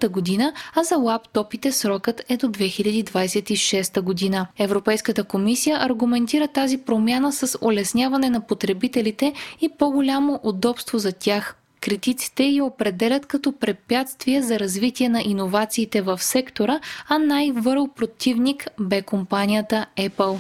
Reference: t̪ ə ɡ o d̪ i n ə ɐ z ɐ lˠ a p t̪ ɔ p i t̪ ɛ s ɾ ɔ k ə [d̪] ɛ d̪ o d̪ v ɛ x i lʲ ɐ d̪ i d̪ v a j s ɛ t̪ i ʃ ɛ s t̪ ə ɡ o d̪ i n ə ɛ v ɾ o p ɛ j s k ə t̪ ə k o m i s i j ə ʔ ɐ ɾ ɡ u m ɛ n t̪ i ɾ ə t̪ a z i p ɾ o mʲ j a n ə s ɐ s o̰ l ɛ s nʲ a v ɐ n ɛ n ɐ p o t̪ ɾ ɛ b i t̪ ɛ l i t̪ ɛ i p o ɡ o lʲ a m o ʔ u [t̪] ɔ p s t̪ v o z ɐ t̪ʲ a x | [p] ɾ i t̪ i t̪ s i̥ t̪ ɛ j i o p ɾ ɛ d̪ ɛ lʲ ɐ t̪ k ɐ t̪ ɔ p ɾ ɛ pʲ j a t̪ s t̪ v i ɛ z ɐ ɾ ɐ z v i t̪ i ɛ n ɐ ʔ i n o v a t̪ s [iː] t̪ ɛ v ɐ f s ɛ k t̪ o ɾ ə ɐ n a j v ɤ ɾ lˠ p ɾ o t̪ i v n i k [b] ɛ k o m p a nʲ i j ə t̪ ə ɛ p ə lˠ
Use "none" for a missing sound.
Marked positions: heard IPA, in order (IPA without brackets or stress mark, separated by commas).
t̪, d̪, k, iː, b